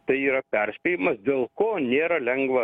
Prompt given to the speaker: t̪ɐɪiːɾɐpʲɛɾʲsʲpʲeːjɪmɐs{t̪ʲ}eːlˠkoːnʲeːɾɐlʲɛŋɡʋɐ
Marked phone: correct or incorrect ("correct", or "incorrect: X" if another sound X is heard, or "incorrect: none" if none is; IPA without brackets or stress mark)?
incorrect: d̪ʲ